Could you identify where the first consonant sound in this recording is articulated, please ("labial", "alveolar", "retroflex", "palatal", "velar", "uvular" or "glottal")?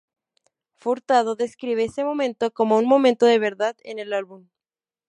labial